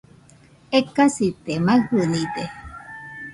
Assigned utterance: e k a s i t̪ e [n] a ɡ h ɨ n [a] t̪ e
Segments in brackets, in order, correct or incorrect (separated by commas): incorrect, incorrect